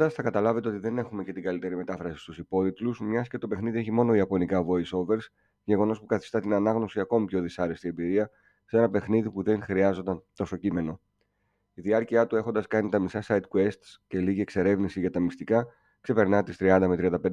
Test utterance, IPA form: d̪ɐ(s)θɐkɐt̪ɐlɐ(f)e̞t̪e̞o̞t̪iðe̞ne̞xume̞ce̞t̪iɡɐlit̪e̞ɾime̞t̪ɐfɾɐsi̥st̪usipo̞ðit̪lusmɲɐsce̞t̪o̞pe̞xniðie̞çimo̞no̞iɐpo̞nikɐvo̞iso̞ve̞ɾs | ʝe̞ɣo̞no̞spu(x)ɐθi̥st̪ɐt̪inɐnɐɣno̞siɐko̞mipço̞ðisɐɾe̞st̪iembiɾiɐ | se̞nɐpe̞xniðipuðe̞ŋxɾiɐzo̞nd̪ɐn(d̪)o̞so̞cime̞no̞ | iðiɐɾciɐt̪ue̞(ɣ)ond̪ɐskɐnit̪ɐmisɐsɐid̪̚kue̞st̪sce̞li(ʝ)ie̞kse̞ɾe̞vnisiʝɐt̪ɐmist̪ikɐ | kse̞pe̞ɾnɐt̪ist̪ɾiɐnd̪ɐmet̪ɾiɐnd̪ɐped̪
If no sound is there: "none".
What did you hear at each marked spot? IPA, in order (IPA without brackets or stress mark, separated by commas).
s, v, k, t̪, x, ʝ